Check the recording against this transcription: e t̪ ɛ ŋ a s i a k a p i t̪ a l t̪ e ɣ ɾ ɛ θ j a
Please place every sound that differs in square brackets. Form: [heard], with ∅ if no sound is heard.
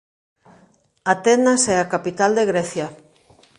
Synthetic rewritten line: [a] t̪ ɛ [n] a s [ɛ] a k a p i t̪ a l [d̪] e ɣ ɾ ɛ θ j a